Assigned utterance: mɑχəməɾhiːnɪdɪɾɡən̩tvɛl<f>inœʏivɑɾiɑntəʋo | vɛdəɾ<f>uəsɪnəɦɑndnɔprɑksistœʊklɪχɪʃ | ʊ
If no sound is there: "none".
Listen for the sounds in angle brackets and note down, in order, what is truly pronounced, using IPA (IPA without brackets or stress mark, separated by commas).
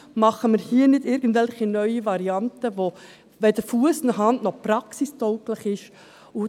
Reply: χ, f